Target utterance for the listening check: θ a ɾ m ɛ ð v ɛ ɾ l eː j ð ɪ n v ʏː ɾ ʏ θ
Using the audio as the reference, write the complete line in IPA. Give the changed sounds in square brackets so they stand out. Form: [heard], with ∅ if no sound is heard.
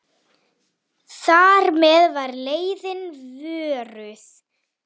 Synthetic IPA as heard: θ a ɾ m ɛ ð v [a] ɾ l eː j ð ɪ n v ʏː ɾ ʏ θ